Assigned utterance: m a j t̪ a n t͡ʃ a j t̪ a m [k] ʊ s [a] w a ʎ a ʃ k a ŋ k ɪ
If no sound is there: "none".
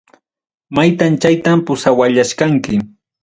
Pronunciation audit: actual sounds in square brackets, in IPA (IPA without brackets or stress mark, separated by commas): p, a